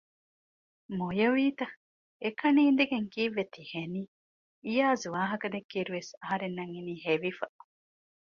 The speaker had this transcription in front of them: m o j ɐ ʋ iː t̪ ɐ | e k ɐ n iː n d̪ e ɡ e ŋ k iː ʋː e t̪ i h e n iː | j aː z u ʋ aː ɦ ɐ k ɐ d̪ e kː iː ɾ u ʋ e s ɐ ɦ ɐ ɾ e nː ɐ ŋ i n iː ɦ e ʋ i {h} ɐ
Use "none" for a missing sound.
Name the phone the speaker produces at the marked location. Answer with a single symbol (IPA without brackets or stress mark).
f